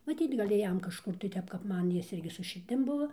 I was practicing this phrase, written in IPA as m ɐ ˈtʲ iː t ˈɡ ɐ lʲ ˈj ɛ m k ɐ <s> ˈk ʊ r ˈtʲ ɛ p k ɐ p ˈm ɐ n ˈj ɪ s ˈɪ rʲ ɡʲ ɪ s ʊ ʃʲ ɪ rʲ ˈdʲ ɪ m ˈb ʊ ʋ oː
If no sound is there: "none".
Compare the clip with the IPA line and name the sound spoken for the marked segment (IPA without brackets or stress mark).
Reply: ʃ